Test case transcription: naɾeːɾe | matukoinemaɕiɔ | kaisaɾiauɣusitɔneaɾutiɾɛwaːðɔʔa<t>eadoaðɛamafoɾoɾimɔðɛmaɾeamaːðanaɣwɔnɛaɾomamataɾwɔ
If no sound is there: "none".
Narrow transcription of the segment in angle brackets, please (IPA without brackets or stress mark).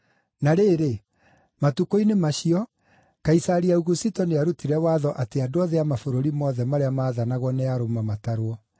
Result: t